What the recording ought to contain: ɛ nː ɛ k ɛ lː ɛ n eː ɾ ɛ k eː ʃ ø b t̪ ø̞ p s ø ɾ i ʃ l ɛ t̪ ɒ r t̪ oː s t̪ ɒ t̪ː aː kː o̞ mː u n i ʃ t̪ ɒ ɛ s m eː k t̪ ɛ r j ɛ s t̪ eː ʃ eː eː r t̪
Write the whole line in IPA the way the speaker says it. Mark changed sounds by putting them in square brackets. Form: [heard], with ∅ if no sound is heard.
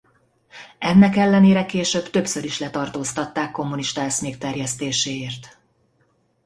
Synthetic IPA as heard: ɛ nː ɛ k ɛ lː ɛ n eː ɾ ɛ k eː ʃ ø b t̪ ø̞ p s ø ɾ i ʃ l ɛ t̪ ɒ r t̪ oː s t̪ ɒ t̪ː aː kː o̞ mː u n i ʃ t̪ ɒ ɛ s m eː k t̪ ɛ r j ɛ s t̪ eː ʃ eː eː r t̪